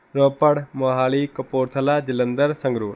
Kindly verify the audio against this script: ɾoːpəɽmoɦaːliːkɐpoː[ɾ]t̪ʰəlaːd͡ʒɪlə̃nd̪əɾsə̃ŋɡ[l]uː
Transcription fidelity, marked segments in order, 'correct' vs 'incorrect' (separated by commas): correct, incorrect